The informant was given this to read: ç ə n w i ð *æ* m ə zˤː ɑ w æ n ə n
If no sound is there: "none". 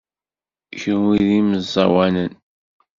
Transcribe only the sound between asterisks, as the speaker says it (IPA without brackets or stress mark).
i